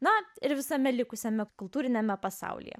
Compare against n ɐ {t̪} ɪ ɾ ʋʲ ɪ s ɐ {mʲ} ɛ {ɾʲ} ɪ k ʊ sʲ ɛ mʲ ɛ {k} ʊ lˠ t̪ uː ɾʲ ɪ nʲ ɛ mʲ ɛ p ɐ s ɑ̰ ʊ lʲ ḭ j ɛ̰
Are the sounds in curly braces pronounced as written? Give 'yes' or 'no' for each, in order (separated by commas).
no, yes, no, yes